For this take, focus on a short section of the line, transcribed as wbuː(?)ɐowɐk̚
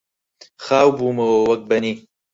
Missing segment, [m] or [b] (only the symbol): m